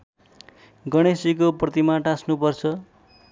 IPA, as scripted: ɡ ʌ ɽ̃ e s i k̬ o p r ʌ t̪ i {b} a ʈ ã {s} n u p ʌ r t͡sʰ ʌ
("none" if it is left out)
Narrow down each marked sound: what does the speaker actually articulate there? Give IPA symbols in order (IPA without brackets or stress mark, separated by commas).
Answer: m, s